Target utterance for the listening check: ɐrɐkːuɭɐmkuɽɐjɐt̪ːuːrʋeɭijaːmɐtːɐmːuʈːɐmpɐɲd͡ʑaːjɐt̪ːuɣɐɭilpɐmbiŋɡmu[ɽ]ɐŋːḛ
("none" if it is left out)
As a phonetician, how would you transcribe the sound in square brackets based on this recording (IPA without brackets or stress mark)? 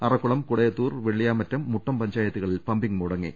ɽ